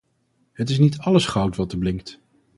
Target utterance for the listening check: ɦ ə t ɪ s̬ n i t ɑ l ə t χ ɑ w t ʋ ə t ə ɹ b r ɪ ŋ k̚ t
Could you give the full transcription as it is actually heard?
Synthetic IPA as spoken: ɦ ə t ɪ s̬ n i t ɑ l ə s χ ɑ w t ʋ ɑ t ə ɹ b l ɪ ŋ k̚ t